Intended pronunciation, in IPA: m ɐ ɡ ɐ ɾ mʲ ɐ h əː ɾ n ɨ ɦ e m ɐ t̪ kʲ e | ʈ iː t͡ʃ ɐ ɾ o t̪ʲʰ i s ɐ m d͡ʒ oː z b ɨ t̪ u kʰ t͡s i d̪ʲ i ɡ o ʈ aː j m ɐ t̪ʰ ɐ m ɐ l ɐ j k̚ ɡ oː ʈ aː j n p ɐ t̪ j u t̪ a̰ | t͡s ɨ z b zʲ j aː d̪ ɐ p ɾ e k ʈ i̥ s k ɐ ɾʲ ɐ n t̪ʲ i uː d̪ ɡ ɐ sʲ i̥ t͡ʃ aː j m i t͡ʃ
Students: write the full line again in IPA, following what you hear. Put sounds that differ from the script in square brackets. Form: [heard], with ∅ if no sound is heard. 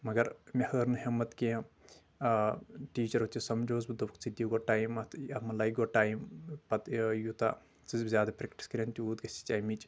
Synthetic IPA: m ɐ ɡ ɐ ɾ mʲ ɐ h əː ɾ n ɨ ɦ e m ɐ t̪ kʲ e | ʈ iː t͡ʃ ɐ ɾ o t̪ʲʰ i s ɐ m d͡ʒ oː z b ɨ [d̪] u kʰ t͡s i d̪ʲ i ɡ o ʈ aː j m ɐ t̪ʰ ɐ m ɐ l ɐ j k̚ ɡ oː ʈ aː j [m] p ɐ t̪ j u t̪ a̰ | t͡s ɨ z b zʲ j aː d̪ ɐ p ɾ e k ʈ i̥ s k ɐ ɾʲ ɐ n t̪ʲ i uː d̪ ɡ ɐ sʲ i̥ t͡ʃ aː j m i t͡ʃ